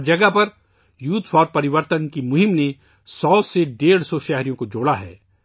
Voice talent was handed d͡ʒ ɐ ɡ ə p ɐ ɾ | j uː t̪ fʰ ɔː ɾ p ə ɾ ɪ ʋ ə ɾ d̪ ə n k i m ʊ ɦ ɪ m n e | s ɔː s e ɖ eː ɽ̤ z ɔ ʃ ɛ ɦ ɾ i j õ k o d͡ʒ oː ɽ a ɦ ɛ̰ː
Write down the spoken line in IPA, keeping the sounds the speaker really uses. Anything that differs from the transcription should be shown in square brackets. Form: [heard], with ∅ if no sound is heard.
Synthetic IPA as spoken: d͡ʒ ɐ ɡ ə p ɐ ɾ | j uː t̪ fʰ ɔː ɾ p [ɐ] ɾ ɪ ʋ ə ɾ [t̪] ə n k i m ʊ ɦ ɪ m n e | s ɔː s e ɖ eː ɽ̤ [s] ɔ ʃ ɛ ɦ ɾ i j õ k o d͡ʒ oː ɽ a ɦ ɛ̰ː